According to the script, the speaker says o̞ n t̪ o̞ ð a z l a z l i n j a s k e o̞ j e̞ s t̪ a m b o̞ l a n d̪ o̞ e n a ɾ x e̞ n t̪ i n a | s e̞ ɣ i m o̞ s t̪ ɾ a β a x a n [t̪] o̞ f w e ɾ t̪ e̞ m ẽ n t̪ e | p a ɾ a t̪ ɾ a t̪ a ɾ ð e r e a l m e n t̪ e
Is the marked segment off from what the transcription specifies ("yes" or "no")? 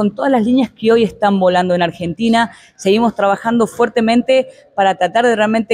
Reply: yes